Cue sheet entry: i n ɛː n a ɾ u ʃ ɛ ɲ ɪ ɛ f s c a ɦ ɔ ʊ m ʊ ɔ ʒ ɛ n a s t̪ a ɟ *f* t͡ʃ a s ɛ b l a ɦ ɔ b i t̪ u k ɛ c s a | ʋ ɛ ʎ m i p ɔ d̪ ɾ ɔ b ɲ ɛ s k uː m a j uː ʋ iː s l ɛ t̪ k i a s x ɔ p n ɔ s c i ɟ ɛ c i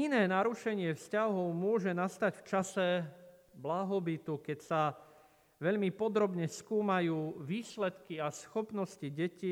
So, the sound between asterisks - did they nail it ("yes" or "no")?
yes